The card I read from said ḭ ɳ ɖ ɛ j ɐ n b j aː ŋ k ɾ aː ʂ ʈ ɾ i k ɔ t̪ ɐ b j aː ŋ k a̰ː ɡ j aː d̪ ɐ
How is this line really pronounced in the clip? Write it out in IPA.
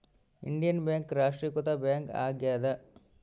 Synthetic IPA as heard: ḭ ɳ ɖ i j ɐ n b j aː ŋ k ɾ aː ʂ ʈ ɾ i k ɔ t̪ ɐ b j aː ŋ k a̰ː ɡ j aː d̪ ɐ